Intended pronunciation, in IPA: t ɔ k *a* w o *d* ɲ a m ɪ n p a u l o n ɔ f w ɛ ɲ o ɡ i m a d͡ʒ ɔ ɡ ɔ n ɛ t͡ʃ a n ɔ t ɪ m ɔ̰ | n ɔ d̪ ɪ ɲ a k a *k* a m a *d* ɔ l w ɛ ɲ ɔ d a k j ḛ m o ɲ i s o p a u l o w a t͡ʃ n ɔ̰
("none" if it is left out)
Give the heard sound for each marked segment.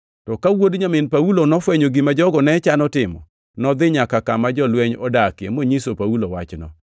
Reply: a, d, k, d͡ʒ

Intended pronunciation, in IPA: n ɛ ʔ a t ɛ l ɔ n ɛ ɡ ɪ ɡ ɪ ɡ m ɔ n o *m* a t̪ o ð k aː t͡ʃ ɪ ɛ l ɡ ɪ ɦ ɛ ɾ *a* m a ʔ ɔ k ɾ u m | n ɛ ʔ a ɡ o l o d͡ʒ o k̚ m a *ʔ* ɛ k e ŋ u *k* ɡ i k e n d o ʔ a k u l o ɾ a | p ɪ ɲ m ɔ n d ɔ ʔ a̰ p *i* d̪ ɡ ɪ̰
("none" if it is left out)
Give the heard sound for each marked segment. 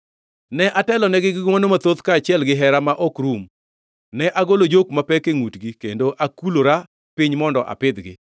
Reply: m, a, p, t, ɪ

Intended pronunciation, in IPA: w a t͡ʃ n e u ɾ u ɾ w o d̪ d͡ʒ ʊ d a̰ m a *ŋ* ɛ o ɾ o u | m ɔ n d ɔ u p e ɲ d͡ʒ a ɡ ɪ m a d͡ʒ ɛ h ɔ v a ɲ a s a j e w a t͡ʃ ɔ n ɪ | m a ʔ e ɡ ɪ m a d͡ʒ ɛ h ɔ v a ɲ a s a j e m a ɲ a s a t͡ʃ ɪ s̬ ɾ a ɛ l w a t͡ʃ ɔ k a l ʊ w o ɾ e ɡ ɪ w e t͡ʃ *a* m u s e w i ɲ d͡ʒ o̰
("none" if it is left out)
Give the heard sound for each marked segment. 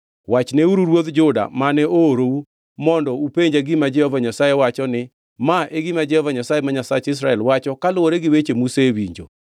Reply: n, e

